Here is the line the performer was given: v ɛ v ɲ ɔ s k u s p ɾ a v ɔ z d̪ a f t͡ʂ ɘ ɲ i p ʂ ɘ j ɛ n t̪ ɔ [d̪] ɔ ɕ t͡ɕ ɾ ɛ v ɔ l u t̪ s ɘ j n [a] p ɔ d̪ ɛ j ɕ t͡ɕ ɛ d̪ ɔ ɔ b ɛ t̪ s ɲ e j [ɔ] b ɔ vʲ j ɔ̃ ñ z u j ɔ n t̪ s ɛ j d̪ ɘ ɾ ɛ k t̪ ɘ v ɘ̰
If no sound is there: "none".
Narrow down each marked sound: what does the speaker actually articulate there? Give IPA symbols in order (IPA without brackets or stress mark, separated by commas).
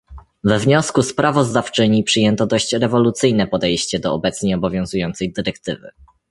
d̪, ɛ, ɔ